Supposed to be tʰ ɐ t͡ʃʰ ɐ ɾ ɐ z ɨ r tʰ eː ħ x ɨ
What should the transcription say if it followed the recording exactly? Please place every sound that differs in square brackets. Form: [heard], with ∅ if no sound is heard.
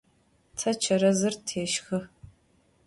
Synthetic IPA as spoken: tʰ ɐ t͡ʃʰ ɐ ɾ ɐ z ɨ r tʰ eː [ʃ] x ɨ